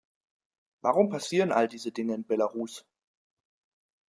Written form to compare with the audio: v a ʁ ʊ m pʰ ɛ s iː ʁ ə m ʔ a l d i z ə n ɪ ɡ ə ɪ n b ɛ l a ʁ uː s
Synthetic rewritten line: v a ʁ ʊ m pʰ a s iː ʁ ə n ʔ a l d iː z ə d ɪ ŋ ə ɪ n b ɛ l a ʁ uː s